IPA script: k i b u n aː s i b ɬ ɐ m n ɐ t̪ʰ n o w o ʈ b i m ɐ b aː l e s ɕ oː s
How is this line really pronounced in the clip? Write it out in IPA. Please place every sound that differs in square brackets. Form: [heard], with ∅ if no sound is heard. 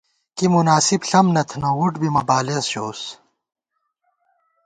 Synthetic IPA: k i [m] u n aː s i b ɬ ɐ m n ɐ t̪ʰ n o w [u] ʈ b i m ɐ b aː l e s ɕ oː s